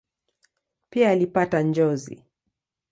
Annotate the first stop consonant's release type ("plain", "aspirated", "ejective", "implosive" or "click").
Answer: plain